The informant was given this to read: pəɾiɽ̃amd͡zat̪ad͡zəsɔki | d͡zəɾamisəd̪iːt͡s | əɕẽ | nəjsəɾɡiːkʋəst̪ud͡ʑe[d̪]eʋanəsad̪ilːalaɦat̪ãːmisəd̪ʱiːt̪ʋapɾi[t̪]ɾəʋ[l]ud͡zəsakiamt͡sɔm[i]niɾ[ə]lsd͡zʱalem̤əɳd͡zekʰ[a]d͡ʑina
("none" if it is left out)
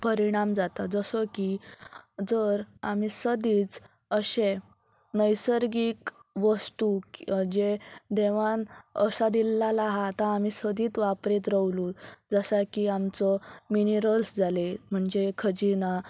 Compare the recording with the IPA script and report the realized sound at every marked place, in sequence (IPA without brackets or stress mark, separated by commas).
d̪, t̪, l, i, ə, ə